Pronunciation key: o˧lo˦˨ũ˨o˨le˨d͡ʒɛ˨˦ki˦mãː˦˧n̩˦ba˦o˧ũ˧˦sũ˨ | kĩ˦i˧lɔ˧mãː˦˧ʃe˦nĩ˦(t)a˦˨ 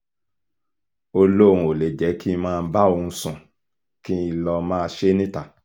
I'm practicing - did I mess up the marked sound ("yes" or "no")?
no